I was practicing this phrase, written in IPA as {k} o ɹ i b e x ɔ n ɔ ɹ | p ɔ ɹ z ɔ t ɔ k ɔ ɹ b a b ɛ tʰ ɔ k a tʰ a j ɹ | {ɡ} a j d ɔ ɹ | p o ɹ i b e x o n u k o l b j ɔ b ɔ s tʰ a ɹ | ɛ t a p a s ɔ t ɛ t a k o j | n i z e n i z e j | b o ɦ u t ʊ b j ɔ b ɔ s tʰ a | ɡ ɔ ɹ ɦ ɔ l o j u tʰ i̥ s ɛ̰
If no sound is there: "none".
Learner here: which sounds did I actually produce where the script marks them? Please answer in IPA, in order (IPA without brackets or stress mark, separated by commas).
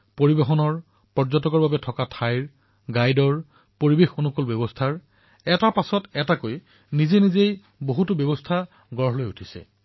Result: p, ɡ